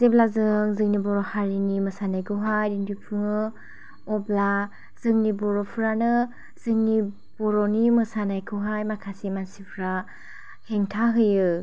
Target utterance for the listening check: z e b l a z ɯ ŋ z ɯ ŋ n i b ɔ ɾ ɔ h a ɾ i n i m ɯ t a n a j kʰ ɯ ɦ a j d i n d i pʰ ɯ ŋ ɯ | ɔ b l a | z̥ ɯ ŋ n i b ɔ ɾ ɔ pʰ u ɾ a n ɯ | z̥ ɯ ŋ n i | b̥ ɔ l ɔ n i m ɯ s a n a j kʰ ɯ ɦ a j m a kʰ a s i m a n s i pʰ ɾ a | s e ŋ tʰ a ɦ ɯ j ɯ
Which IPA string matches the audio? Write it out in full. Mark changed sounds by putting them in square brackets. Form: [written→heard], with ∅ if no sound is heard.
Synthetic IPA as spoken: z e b l a z ɯ ŋ z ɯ ŋ n i b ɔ ɾ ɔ h a ɾ i n i m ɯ [t→s] a n a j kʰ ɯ ɦ a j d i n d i pʰ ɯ ŋ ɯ | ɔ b l a | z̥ ɯ ŋ n i b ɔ ɾ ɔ pʰ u ɾ a n ɯ | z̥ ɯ ŋ n i | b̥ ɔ [l→ɾ] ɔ n i m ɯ s a n a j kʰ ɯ ɦ a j m a kʰ a s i m a n s i pʰ ɾ a | [s→h] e ŋ tʰ a ɦ ɯ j ɯ